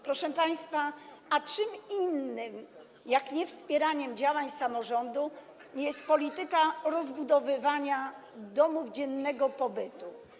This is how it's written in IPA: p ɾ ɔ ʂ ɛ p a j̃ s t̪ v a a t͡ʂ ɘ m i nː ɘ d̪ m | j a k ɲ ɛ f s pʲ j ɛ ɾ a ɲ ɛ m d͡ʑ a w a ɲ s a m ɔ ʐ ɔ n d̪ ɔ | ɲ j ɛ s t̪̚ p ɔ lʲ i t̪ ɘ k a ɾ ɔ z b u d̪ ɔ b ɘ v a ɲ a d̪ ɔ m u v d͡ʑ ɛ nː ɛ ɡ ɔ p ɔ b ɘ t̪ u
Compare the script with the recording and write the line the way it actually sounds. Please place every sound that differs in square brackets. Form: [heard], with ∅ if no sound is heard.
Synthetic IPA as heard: p ɾ ɔ ʂ ɛ p a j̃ s t̪ [f] a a t͡ʂ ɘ m i nː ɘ [∅] m | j a k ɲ ɛ f s pʲ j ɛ ɾ a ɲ ɛ m d͡ʑ a w a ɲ s a m ɔ ʐ ɔ n d̪ [u] | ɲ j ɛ s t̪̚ p ɔ lʲ i t̪ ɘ k a ɾ ɔ z b u d̪ ɔ [v] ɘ v a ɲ a d̪ ɔ m u v d͡ʑ ɛ nː ɛ ɡ ɔ p ɔ b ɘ t̪ u